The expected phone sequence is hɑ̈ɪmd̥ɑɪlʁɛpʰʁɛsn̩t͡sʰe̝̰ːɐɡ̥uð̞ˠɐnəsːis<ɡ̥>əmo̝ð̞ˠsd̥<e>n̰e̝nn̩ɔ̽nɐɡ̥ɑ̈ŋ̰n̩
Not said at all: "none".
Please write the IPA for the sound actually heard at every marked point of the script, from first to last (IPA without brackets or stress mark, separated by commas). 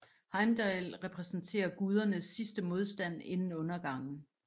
d̥, æ